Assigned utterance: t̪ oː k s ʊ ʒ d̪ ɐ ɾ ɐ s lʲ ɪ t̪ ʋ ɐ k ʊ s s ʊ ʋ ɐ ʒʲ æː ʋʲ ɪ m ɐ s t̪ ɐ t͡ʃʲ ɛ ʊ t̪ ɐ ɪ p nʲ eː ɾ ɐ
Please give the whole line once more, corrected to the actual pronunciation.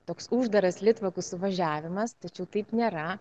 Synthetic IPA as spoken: t̪ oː k s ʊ ʒ d̪ ɐ ɾ ɐ s lʲ ɪ t̪ ʋ ɐ k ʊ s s ʊ ʋ ɐ ʒʲ æː ʋʲ ɪ m ɐ s t̪ ɐ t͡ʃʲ ɛ ʊ t̪ ɐ ɪ p nʲ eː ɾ ɐ